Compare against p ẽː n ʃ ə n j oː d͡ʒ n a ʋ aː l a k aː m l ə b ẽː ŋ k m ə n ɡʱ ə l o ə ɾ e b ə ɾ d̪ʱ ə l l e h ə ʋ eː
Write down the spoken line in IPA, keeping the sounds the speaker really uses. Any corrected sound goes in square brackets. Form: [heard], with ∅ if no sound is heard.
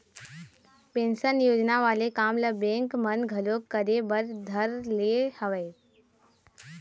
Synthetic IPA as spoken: p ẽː n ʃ ə n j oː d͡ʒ n a ʋ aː l [e] k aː m l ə b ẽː ŋ k m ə n ɡʱ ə l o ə ɾ e b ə ɾ d̪ʱ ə [ɾ] l e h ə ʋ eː